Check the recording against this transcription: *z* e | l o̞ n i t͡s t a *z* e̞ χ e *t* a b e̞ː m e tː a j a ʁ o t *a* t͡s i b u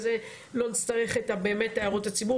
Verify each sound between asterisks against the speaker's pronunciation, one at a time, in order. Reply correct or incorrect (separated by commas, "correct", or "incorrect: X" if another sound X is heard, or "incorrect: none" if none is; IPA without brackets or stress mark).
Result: correct, incorrect: ʁ, correct, correct